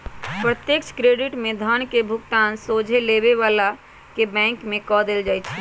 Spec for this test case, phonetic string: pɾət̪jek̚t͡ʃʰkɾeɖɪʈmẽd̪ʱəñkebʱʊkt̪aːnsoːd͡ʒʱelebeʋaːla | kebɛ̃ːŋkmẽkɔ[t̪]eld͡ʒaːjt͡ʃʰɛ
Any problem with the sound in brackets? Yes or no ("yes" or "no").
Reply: yes